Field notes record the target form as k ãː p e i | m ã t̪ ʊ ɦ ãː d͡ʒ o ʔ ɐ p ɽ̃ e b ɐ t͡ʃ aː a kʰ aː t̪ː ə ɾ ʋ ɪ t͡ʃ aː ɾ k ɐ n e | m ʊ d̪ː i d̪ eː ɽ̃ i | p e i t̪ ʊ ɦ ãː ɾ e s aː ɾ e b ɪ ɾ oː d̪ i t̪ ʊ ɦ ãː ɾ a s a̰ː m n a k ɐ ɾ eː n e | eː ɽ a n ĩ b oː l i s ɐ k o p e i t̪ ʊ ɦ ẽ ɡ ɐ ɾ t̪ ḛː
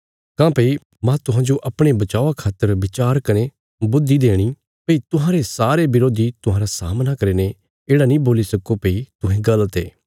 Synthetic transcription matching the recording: k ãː p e i | m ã t̪ ʊ ɦ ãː d͡ʒ o ʔ ɐ p ɽ̃ e b ɐ t͡ʃ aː a kʰ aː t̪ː ə ɾ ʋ ɪ t͡ʃ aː ɾ k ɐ n e | b ʊ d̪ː i d̪ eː ɽ̃ i | p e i t̪ ʊ ɦ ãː ɾ e s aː ɾ e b ɪ ɾ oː d̪ i t̪ ʊ ɦ ãː ɾ a s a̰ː m n a k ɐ ɾ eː n e | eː ɽ a n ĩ b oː l i s ɐ k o p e i t̪ ʊ ɦ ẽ ɡ ɐ l t̪ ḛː